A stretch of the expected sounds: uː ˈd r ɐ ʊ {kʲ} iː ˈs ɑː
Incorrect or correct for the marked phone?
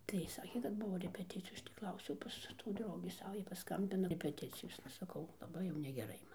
incorrect: ɡʲ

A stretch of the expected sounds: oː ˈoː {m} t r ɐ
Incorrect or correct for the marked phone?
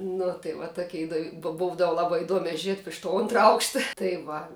incorrect: n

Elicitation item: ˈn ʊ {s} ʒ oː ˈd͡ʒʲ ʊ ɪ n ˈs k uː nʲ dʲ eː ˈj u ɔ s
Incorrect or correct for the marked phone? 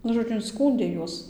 incorrect: none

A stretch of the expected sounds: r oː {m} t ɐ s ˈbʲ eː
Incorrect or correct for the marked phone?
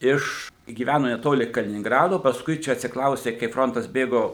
incorrect: n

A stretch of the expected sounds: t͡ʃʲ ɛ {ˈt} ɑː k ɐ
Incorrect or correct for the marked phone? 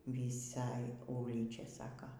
incorrect: s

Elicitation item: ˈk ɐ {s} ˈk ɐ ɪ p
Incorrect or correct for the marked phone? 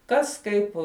correct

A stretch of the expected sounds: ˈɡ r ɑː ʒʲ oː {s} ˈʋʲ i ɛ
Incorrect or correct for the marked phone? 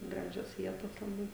correct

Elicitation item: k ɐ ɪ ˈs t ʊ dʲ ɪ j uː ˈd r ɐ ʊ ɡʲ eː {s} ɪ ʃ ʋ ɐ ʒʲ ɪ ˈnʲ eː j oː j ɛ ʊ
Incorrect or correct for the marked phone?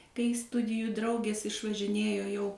correct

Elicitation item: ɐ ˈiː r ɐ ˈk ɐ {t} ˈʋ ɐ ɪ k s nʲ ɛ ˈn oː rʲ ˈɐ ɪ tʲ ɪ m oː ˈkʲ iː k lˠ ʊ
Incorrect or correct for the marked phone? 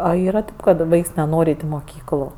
correct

